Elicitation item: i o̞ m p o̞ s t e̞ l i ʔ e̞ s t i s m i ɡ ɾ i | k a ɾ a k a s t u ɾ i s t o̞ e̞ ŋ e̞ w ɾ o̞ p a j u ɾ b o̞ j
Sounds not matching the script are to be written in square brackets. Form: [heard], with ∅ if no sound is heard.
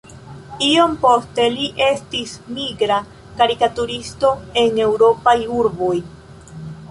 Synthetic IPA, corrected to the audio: i o̞ m p o̞ s t e̞ l i ʔ e̞ s t i s m i ɡ ɾ [a] | k a ɾ [i] k a [∅] t u ɾ i s t o̞ e̞ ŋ e̞ w ɾ o̞ p a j u ɾ b o̞ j